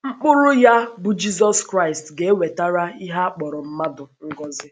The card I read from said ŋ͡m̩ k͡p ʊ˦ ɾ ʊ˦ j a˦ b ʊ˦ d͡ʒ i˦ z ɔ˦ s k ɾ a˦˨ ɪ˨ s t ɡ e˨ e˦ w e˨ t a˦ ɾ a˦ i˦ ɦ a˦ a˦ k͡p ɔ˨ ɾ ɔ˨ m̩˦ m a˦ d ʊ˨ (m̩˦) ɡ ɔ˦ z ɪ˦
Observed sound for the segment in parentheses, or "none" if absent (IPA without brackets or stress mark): ŋ̩˦